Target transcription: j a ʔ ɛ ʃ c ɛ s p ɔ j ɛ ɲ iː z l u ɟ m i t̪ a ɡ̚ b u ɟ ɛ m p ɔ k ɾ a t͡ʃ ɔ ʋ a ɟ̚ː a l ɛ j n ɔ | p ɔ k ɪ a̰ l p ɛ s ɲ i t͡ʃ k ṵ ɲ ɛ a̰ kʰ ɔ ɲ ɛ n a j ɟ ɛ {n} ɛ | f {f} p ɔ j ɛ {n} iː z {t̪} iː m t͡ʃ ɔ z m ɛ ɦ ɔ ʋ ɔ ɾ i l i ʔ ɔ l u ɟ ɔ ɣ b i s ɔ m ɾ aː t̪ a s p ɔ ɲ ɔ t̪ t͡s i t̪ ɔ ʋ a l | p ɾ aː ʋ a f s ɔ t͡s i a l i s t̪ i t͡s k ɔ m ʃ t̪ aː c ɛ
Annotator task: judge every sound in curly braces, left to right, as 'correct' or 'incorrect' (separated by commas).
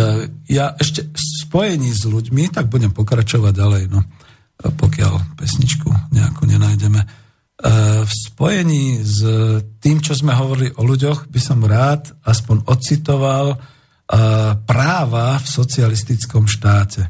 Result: incorrect, incorrect, incorrect, correct